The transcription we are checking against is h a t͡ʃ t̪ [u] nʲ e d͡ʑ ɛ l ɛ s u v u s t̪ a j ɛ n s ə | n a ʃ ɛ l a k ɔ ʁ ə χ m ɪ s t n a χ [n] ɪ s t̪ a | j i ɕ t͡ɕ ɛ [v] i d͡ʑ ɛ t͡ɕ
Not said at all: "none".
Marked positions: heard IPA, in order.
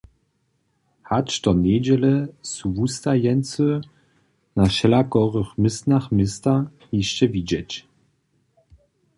ɔ, m, v

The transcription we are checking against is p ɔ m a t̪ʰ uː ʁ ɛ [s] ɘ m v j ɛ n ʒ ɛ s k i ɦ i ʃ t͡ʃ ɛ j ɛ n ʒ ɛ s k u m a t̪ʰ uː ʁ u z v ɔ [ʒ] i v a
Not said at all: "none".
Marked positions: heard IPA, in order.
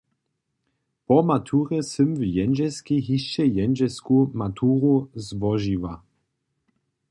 s, ʒ

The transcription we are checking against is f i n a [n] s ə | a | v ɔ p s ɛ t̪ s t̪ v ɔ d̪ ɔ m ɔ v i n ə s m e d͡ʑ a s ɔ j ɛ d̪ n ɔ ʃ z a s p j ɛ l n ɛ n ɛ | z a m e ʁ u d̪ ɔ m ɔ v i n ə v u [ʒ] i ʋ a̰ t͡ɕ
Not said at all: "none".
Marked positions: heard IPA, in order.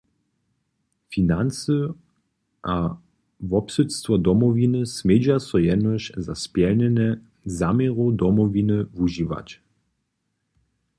n, ʒ

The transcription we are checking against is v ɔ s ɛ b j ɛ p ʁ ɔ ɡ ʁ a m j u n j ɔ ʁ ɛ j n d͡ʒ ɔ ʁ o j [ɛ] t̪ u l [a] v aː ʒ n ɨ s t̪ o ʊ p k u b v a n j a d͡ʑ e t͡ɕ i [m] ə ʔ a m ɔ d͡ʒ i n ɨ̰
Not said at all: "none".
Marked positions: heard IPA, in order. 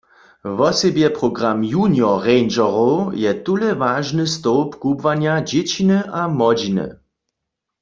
ɛ, ɛ, n

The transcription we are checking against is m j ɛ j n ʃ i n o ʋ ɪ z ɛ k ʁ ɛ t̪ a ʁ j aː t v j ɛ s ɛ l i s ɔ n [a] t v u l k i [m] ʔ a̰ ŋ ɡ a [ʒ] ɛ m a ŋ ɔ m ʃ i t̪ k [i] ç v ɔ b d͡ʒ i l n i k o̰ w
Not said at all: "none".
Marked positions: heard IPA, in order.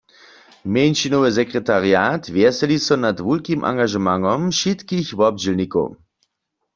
a, m, ʒ, i

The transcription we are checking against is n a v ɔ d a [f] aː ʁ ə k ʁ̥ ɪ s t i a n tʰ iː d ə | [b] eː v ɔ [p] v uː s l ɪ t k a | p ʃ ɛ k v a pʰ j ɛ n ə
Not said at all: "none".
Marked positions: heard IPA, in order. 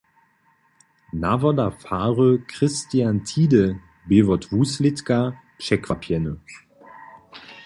f, b, t

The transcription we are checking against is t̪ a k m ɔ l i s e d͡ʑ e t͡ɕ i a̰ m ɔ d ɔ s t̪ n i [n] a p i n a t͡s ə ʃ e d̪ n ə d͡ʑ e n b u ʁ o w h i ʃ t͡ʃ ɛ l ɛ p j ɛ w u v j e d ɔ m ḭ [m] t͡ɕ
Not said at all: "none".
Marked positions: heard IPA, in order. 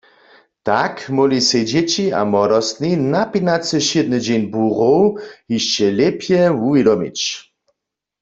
n, none

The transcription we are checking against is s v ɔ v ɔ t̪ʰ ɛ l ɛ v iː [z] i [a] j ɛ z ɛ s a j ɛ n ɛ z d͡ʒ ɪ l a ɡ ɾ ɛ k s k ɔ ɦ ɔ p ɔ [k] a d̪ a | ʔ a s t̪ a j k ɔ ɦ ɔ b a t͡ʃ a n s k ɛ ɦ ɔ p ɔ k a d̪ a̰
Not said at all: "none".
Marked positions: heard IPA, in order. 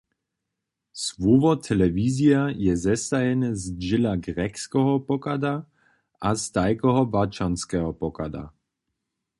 z, a, k

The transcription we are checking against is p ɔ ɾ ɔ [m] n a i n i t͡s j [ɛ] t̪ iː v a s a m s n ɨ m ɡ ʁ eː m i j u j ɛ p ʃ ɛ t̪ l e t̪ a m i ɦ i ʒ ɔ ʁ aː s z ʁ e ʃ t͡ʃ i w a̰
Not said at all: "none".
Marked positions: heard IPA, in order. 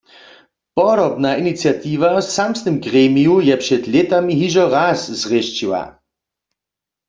b, a

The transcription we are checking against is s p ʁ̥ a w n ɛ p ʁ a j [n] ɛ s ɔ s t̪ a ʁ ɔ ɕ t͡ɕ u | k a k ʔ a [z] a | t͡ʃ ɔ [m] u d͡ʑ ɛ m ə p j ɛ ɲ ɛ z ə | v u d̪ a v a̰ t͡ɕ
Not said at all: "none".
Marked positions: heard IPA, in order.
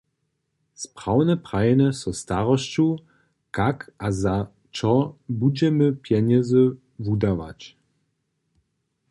n, z, b

